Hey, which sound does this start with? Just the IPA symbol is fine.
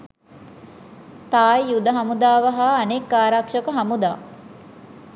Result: t̪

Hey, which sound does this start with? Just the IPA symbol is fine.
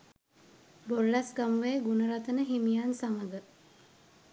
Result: b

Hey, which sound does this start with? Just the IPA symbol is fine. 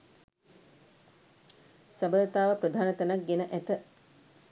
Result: s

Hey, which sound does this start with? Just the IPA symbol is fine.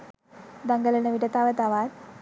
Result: d̪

